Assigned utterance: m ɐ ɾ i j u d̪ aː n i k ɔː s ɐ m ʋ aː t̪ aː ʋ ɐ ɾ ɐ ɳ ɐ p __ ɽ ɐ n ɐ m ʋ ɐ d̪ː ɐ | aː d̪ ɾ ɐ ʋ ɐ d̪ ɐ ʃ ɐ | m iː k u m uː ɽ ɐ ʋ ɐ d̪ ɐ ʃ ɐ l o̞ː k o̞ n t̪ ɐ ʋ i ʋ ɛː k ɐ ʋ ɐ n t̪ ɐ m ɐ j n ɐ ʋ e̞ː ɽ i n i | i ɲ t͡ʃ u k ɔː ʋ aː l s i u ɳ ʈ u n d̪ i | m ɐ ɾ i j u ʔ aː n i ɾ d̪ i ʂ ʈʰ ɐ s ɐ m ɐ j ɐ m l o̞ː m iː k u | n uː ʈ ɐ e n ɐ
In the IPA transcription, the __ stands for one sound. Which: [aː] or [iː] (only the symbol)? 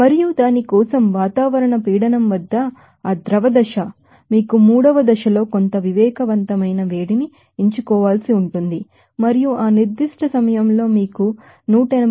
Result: iː